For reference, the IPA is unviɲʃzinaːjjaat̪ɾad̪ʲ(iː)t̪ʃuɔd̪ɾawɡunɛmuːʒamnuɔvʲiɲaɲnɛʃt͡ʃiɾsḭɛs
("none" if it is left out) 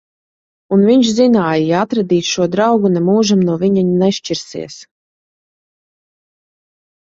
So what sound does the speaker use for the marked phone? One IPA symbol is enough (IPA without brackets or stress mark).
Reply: iː